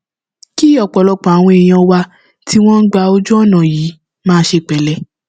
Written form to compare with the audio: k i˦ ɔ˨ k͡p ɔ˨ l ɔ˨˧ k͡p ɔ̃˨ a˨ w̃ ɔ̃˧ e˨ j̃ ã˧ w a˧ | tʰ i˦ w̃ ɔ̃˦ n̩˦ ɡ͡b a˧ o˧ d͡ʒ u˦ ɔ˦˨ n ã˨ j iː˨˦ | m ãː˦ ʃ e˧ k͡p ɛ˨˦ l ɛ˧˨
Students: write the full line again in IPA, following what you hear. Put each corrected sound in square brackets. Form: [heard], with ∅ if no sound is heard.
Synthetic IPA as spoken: k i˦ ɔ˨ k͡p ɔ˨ l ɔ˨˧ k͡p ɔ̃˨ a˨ w̃ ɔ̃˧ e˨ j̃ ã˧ w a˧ | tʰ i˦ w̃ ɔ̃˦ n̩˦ ɡ͡b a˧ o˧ d͡ʒ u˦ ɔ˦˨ n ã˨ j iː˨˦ | m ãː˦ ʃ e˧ k͡p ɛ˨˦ l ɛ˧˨